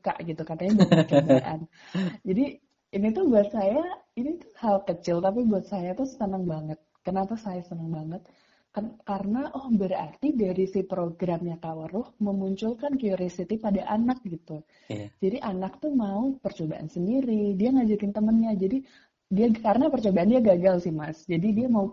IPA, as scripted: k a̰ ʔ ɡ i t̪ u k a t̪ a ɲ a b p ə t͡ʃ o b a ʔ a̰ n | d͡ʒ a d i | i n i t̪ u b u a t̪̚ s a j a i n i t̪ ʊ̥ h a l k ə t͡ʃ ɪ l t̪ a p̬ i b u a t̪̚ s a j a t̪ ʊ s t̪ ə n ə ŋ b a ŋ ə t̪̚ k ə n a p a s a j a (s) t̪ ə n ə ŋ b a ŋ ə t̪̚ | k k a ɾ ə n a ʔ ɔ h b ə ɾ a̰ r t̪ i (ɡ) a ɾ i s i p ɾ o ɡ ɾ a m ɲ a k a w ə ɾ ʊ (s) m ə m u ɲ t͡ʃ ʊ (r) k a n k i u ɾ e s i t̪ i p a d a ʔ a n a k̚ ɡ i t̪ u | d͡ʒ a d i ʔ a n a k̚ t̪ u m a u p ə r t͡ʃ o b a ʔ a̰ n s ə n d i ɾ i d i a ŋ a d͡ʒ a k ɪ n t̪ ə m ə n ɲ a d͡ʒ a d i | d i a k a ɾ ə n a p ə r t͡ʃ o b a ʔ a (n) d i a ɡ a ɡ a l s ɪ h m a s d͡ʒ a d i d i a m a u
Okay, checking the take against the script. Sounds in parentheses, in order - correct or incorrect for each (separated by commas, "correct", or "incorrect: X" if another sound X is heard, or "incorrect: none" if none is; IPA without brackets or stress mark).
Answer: correct, incorrect: d, incorrect: h, incorrect: l, correct